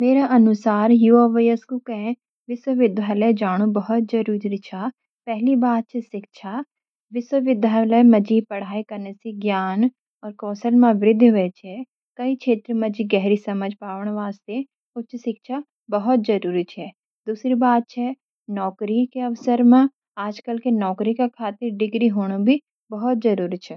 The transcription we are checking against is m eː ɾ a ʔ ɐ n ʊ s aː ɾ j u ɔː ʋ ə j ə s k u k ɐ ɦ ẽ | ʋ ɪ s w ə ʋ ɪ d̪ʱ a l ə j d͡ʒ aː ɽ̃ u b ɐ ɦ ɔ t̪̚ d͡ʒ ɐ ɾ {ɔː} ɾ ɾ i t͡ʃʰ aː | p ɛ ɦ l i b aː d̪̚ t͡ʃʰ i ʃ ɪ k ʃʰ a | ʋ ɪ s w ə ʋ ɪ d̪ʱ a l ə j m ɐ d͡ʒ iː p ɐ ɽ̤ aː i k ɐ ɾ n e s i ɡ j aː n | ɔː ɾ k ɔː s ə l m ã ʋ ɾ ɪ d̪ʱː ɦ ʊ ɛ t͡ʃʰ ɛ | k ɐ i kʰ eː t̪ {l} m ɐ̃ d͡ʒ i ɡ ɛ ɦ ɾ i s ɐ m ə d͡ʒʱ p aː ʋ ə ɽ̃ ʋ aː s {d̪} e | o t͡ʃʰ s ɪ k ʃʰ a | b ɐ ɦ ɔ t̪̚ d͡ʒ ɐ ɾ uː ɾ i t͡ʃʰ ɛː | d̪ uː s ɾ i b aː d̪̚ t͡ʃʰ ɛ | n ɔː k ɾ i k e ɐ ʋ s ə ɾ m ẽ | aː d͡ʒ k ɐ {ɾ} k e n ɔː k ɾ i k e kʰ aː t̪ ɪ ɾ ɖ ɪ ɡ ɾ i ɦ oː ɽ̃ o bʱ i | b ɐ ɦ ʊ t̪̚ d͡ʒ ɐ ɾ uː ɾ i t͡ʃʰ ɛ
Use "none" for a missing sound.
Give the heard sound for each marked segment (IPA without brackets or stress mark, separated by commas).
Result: uː, ɾ, t̪, l